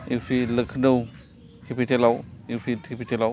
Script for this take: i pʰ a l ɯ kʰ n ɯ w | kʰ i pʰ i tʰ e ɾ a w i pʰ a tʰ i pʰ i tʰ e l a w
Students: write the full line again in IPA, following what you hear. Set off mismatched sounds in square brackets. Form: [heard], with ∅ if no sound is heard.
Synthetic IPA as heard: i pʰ [i] l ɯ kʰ n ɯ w | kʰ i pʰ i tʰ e [l] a w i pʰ [i] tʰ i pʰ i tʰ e l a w